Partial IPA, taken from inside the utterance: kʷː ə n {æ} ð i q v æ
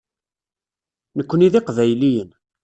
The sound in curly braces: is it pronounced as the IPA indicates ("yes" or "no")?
no